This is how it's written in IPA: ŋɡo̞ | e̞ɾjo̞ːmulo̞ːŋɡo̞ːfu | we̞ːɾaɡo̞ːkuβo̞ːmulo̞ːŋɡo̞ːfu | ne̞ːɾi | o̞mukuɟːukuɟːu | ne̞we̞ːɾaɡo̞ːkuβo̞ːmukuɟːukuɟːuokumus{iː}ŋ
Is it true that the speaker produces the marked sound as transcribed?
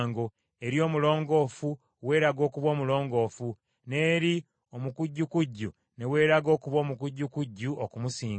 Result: yes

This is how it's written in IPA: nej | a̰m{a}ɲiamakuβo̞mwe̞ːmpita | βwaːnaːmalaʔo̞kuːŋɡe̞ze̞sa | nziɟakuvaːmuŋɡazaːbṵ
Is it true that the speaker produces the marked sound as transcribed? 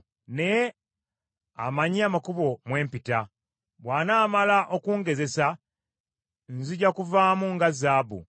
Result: yes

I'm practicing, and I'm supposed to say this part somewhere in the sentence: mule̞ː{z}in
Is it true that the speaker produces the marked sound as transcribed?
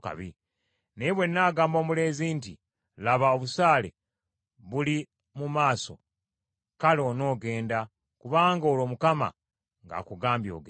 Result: yes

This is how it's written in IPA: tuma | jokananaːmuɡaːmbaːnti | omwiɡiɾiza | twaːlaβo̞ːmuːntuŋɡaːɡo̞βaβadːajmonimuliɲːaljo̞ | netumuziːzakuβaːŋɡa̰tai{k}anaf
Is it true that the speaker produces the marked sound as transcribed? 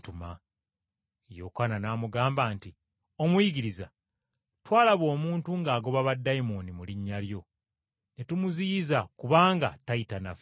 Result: no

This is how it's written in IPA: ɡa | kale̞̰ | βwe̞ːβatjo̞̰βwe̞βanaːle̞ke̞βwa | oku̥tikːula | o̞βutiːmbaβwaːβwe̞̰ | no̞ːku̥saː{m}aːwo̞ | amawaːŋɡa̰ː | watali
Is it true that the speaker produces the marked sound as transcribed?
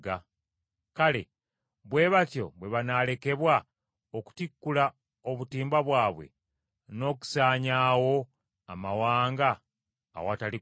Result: no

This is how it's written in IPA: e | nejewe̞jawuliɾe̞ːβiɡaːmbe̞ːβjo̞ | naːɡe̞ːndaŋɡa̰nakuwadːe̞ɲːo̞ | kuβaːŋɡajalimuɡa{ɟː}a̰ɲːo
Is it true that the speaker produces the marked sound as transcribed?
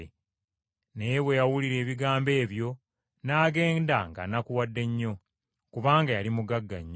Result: no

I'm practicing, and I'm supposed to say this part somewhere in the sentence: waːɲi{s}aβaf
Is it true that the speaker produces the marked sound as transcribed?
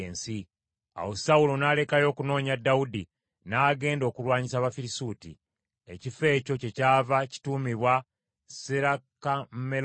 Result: yes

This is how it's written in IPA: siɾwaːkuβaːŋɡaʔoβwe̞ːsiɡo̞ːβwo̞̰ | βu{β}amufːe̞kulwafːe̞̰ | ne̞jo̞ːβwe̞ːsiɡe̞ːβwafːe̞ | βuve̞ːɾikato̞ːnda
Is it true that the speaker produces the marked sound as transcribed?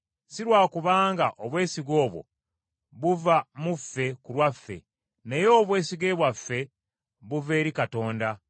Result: no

